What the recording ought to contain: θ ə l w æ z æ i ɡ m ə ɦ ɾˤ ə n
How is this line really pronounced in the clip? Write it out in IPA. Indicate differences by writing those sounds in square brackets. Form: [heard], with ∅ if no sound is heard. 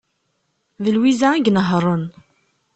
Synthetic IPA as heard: [ð] ə l w [i] z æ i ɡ [n] ə ɦ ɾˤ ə n